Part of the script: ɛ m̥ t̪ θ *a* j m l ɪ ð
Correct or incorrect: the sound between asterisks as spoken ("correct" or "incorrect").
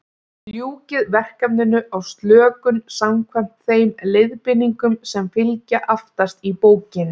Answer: incorrect